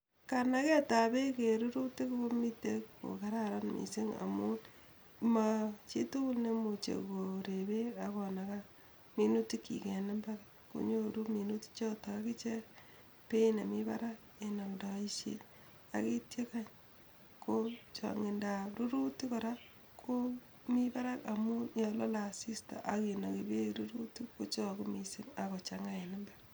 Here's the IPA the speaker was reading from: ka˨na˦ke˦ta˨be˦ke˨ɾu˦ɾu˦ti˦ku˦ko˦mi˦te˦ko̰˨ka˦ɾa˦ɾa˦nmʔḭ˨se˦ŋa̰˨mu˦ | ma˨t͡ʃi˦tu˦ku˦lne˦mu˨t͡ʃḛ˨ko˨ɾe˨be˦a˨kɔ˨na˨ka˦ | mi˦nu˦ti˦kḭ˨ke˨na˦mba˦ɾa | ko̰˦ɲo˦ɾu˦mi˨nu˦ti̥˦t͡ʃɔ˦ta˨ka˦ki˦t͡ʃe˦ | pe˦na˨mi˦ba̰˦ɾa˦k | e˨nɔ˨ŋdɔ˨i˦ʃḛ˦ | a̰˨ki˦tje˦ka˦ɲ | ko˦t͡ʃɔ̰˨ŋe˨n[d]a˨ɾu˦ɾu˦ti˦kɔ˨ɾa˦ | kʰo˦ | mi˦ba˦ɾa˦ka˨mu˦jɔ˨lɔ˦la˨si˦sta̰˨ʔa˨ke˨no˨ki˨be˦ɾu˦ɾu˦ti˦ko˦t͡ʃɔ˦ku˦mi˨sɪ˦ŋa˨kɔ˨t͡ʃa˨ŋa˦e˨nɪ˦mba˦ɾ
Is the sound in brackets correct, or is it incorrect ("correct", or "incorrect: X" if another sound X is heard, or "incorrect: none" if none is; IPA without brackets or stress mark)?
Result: correct